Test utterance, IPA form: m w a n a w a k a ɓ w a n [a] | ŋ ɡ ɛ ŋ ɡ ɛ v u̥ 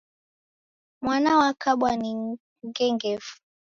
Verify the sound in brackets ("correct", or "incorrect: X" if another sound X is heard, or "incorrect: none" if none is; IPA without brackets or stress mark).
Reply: incorrect: i